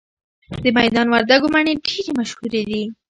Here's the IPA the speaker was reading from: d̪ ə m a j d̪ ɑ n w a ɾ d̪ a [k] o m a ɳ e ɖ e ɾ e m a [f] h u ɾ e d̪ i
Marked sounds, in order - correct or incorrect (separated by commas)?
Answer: incorrect, incorrect